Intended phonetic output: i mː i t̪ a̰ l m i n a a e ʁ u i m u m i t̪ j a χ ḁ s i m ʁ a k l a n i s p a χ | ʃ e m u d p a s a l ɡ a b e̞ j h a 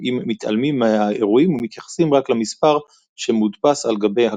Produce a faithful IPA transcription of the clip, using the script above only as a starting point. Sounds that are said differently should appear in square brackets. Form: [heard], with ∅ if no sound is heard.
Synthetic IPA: i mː i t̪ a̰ l m i [m] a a e ʁ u i m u m i t̪ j a χ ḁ s i m ʁ a k l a [m] i s p a [ʁ] | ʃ e m u d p a s a l ɡ a b e̞ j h a